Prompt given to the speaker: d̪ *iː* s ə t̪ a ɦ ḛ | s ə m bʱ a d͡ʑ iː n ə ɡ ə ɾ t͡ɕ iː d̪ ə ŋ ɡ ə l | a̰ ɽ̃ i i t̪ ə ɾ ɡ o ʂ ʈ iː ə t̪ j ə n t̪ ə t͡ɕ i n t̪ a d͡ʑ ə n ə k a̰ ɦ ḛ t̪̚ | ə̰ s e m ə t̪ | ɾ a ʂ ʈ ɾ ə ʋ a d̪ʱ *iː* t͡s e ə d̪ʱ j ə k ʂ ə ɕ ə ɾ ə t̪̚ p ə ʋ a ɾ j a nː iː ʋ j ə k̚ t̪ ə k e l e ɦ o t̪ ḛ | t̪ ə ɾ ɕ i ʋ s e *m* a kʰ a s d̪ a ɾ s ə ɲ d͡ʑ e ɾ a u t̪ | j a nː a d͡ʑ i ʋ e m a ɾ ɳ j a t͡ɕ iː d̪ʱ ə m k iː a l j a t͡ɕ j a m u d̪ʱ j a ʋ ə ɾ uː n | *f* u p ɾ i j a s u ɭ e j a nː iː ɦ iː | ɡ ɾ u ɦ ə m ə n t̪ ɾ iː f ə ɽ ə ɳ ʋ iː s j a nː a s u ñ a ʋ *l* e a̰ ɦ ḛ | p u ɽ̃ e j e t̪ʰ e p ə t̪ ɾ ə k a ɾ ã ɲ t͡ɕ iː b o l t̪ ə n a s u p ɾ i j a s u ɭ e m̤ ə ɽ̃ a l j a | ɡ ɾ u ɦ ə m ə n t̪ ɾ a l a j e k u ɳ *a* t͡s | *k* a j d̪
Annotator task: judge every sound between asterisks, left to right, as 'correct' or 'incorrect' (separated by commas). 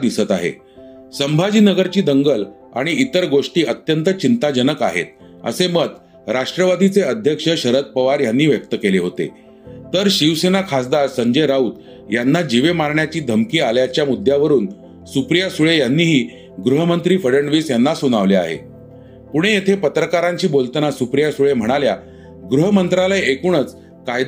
incorrect, incorrect, incorrect, incorrect, correct, incorrect, correct